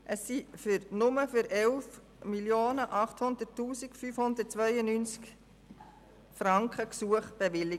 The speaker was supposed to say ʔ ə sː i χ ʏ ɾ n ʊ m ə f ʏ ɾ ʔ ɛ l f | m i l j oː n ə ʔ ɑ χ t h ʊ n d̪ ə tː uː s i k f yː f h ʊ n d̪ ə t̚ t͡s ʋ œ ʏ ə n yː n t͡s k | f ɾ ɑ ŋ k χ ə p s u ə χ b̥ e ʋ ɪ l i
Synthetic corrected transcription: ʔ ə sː i f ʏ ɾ n ʊ m ə f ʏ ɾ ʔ ɛ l f | m i l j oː n ə ʔ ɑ χ t h ʊ n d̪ ə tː uː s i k f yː f h ʊ n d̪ ə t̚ t͡s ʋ œ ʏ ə n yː n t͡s k | f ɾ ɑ ŋ k χ ə k s u ə χ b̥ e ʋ ɪ l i